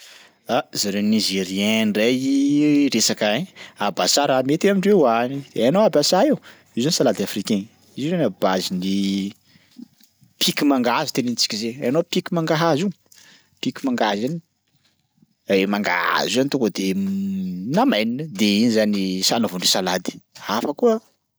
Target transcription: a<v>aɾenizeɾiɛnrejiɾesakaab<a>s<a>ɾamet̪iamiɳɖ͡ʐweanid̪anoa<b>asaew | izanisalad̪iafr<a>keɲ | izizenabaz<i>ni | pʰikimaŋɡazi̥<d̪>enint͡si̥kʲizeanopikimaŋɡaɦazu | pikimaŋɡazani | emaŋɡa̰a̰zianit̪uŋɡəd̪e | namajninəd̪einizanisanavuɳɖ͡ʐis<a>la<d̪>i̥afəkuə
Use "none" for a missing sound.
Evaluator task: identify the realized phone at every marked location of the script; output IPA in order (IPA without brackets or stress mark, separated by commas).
z, a, a, b, i, i, t̪, a, d̪